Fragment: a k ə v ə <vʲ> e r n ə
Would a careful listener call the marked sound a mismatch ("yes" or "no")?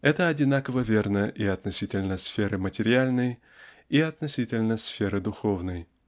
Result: no